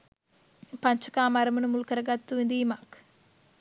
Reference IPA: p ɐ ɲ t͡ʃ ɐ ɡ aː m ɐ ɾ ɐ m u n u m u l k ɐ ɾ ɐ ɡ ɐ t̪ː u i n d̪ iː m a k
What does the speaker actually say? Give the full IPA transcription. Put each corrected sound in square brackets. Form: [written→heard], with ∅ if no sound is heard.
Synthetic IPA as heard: p ɐ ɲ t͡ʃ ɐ [ɡ→k] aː m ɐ ɾ ɐ m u n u m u l k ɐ ɾ ɐ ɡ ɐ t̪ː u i n d̪ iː m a k